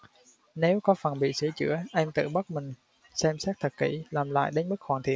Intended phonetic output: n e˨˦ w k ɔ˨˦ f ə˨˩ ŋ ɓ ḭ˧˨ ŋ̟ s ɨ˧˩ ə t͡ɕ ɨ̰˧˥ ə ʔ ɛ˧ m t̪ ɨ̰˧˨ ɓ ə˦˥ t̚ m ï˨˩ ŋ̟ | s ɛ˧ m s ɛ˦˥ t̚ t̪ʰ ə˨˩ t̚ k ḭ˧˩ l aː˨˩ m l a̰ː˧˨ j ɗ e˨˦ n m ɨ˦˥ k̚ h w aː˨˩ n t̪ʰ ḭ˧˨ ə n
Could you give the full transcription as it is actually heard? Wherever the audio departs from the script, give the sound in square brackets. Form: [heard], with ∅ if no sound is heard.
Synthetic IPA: n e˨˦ w k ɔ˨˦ f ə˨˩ [n] ɓ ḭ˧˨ [∅] s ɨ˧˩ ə t͡ɕ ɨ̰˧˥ ə ʔ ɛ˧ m t̪ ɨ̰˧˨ ɓ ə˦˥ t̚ m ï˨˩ ŋ̟ | s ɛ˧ m s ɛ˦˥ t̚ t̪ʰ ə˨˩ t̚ k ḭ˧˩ l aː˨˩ m l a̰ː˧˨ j ɗ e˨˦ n m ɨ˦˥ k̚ [x] w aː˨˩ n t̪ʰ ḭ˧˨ ə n